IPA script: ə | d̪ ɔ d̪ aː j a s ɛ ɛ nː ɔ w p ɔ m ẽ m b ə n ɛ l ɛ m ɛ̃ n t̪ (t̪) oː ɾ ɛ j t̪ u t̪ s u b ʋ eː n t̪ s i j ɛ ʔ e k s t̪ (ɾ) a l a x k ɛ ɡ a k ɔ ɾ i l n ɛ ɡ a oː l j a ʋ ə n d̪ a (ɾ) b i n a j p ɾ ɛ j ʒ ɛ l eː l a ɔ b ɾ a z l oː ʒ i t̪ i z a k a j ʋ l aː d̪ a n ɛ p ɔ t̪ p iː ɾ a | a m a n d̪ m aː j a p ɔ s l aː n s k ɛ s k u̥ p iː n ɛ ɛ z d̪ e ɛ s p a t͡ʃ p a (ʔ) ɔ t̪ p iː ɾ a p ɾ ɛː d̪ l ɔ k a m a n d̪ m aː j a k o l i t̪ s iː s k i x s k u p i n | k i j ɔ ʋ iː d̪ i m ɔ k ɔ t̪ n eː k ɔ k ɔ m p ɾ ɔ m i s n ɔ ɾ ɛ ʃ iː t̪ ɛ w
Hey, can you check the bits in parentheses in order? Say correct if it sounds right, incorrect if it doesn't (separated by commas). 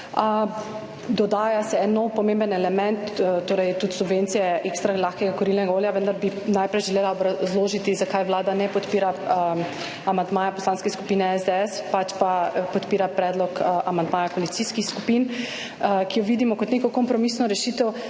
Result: correct, correct, correct, incorrect